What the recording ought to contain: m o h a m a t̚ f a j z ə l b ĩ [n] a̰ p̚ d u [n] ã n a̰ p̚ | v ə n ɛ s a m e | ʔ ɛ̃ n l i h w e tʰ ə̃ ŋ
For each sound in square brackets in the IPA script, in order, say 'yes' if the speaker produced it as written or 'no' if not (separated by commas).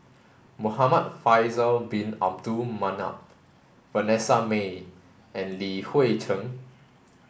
yes, no